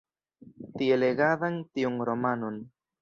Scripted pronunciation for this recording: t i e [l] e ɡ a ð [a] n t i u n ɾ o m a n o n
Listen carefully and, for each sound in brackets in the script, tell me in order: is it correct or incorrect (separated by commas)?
correct, correct